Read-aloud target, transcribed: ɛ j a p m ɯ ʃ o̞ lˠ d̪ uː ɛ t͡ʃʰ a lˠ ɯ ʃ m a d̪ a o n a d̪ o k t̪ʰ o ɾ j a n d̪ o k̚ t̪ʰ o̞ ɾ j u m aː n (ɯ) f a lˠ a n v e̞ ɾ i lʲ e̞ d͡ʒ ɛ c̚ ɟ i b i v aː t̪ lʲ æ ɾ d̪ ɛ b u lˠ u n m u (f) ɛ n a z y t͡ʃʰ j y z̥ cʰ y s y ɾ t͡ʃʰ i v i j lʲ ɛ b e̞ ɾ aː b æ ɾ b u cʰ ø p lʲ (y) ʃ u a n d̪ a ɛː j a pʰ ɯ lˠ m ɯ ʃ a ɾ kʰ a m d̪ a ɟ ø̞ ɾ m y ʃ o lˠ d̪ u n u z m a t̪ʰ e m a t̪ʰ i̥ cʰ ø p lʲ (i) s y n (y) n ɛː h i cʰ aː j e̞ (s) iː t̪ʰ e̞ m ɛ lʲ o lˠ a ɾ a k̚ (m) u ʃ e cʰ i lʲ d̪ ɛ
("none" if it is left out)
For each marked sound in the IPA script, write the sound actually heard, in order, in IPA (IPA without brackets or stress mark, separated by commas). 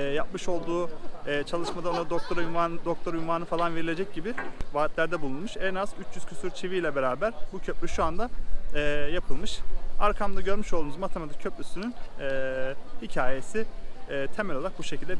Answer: ɯ, ʃ, y, y, y, s, b